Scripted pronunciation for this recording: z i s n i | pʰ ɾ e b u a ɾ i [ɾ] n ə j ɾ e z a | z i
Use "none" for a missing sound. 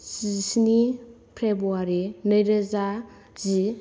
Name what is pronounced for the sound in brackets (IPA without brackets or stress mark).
none